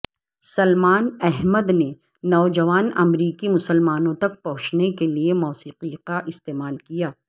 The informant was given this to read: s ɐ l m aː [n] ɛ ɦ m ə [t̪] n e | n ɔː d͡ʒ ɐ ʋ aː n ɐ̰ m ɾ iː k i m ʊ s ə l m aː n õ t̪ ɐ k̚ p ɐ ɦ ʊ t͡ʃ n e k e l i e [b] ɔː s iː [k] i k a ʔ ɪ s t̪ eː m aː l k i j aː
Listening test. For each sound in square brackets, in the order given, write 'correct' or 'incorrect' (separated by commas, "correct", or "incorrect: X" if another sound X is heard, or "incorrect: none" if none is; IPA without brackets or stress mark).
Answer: correct, incorrect: d̪, incorrect: m, incorrect: q